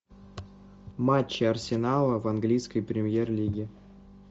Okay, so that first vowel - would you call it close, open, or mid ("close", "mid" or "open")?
open